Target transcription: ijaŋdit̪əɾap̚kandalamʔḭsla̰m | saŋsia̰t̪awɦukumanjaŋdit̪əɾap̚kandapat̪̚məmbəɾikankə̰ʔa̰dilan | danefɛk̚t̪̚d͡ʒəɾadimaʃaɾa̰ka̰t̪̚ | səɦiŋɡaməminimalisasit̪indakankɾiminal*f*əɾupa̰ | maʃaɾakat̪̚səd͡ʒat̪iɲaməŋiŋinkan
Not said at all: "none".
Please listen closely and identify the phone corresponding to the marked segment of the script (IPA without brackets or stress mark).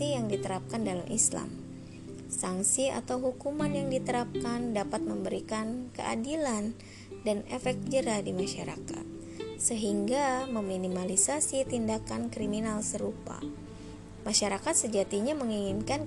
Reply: s